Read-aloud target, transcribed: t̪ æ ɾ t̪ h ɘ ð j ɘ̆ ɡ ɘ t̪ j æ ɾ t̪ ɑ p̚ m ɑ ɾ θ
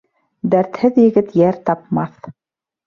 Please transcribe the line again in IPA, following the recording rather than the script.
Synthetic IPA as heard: d̪ æ ɾ t̪ h ɘ ð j ɘ̆ ɡ ɘ t̪ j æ ɾ t̪ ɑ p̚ m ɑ θ